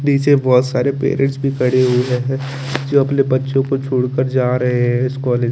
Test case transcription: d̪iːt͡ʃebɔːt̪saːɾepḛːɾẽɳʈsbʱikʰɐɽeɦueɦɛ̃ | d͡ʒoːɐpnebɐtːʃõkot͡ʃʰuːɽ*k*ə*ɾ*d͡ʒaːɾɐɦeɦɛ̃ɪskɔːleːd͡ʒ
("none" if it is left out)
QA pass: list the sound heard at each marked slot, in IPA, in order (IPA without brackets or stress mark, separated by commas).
k, ɾ